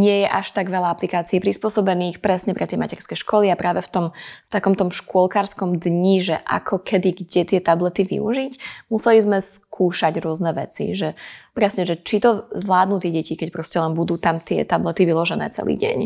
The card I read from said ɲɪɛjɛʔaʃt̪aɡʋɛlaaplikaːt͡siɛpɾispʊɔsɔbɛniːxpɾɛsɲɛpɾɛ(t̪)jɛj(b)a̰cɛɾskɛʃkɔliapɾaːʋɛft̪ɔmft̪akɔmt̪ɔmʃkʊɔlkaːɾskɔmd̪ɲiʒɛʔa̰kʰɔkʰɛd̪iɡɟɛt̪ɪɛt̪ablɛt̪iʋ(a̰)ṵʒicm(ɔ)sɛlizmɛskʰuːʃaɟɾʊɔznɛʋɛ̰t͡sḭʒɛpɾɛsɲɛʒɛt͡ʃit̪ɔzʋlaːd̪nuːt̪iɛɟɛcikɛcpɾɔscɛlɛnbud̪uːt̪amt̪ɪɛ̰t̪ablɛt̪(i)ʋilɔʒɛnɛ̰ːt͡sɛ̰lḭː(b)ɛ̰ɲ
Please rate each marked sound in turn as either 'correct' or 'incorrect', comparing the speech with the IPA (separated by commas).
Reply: correct, incorrect, incorrect, incorrect, correct, incorrect